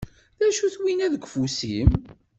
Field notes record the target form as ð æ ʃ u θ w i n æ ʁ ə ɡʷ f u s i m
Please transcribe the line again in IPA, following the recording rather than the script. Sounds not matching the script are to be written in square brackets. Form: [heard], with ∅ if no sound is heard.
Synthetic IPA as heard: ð æ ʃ u θ w i n æ [ð] ə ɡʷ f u s i m

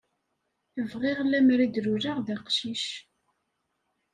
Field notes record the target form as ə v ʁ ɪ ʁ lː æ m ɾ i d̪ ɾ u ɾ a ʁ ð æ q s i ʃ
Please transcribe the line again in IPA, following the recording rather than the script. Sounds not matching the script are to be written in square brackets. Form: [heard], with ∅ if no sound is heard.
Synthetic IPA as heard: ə v ʁ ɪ ʁ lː æ m ɾ i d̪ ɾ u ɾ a ʁ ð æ q [ʃ] i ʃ

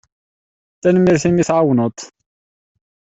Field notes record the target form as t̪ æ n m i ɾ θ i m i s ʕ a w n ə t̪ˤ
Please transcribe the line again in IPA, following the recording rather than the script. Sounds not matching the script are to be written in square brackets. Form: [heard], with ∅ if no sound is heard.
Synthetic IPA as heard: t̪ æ n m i ɾ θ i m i [θ] ʕ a w n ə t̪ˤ

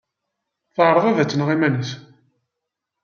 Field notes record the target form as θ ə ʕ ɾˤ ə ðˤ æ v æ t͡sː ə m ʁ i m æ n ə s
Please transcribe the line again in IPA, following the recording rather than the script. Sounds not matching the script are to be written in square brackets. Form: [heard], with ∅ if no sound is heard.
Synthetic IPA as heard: θ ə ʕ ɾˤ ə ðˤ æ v æ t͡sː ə [n] ʁ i m æ n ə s

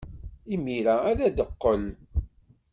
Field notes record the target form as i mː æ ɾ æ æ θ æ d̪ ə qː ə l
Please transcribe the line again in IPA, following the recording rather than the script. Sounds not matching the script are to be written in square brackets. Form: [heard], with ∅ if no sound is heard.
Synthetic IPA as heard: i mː [i] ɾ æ æ [ð] æ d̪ ə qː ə l

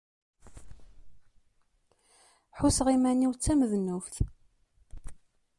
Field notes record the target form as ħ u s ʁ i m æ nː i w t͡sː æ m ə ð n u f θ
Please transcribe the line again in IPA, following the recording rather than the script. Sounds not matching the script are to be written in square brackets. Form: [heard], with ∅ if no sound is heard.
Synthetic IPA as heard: ħ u s ʁ i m æ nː i w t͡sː æ m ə ð n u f θ

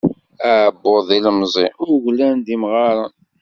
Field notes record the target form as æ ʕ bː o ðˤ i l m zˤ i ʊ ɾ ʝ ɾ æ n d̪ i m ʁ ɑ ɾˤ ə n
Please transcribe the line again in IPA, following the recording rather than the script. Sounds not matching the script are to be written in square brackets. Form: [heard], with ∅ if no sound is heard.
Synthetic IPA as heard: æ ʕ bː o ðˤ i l m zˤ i ʊ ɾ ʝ [l] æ n d̪ i m ʁ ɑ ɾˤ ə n

